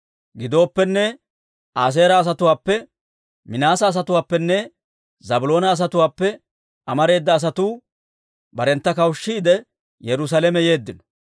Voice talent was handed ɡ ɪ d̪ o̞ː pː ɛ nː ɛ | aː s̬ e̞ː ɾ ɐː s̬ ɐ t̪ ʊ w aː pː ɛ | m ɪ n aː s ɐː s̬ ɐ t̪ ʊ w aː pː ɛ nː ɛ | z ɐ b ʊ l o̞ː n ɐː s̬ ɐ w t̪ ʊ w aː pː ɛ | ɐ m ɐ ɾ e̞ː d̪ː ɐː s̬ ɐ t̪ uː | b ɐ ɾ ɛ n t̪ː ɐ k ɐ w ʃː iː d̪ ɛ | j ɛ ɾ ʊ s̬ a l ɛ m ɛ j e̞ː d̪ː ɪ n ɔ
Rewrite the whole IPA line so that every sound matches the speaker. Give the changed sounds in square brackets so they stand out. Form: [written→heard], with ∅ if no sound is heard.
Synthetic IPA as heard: ɡ ɪ d̪ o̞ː pː ɛ nː ɛ | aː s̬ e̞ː ɾ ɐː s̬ ɐ t̪ ʊ w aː pː ɛ | m ɪ n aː s ɐː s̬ ɐ t̪ ʊ w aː pː ɛ nː ɛ | z ɐ b ʊ l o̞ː n ɐː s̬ ɐ [w→∅] t̪ ʊ w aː pː ɛ | ɐ m ɐ ɾ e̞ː d̪ː ɐː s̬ ɐ t̪ uː | b ɐ ɾ ɛ n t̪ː ɐ k ɐ w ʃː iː d̪ ɛ | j ɛ ɾ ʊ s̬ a l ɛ m ɛ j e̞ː d̪ː ɪ n ɔ